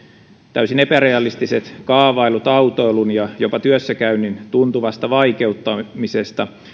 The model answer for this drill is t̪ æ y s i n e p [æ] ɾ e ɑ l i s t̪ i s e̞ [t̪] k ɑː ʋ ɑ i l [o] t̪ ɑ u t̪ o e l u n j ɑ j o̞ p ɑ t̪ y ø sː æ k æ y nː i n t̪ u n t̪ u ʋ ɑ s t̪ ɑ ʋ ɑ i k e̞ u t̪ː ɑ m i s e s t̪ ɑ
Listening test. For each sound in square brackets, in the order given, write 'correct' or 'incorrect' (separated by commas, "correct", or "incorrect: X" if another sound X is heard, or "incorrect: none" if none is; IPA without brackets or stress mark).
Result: correct, correct, incorrect: u